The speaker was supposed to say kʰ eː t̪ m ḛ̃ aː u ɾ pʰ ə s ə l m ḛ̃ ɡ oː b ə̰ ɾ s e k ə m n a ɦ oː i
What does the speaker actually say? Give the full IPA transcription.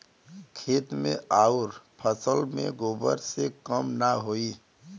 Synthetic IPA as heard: kʰ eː t̪ m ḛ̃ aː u ɾ pʰ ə s ə l m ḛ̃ ɡ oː b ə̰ ɾ s e k ə m n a ɦ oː i

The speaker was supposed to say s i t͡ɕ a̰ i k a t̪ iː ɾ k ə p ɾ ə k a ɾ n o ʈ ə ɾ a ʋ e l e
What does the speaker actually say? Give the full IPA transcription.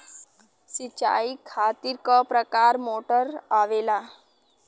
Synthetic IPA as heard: s i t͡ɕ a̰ i kʰ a t̪ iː ɾ k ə p ɾ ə k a ɾ m o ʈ ə ɾ a ʋ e l a

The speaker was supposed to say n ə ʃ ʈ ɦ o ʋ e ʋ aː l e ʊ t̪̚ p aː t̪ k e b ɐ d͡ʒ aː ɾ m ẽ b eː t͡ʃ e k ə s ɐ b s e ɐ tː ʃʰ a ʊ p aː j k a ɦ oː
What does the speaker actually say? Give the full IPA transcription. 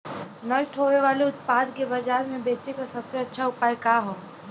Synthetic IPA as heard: n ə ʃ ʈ ɦ o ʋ e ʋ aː l e ʊ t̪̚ p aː d̪ k e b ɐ d͡ʒ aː ɾ m ẽ b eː t͡ʃ e k a s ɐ b s e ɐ tː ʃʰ a ʊ p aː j k a ɦ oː

